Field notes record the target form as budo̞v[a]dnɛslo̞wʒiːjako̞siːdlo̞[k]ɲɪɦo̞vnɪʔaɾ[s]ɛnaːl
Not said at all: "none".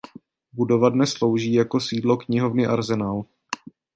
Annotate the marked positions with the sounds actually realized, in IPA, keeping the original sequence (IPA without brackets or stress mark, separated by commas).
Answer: a, k, z